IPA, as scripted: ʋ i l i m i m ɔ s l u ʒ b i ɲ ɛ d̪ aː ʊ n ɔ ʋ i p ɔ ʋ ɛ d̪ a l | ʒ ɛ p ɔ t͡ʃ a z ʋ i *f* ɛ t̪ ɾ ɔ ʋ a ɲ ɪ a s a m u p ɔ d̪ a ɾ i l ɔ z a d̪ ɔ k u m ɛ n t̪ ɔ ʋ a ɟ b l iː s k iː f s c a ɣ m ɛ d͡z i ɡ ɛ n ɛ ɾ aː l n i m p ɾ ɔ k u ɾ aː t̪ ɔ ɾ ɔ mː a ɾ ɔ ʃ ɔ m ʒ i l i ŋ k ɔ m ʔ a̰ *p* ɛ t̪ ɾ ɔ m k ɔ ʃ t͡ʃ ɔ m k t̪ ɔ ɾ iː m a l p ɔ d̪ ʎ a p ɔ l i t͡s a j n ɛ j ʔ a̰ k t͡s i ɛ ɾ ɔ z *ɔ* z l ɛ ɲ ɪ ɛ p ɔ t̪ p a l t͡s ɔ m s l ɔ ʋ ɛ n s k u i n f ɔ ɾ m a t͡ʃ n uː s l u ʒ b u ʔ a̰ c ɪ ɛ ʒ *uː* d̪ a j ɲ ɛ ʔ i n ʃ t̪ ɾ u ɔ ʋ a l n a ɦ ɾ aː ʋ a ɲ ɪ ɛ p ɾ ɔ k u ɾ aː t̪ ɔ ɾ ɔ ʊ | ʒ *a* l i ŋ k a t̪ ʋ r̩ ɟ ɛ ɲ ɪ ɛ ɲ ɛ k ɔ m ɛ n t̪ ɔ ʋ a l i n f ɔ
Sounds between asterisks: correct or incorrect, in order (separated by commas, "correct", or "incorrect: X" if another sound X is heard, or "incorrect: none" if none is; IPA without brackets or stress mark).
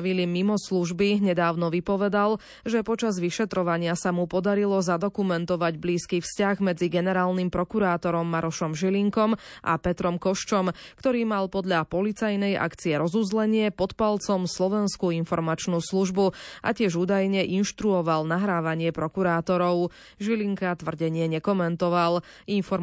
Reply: incorrect: ʃ, correct, incorrect: u, correct, incorrect: i